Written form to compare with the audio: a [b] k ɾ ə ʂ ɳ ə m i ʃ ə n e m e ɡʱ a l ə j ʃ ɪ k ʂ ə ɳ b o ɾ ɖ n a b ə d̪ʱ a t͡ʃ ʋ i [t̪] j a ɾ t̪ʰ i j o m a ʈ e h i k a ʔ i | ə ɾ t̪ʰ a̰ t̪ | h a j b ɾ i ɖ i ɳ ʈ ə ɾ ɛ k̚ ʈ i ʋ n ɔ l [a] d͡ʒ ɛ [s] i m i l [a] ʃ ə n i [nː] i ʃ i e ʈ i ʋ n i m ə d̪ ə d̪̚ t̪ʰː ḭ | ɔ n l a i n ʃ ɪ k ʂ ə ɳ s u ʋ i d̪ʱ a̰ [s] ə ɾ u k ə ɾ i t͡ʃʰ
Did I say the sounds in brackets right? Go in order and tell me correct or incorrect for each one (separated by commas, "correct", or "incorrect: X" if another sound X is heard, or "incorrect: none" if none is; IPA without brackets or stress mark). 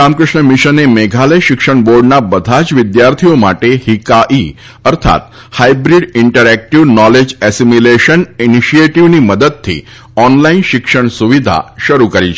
incorrect: m, incorrect: d̪, incorrect: e, correct, incorrect: e, incorrect: n, incorrect: ʃ